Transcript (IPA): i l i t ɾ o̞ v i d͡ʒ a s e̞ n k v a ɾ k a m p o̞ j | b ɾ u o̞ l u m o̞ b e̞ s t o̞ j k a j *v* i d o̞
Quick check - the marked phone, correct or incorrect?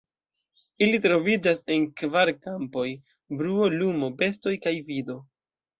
correct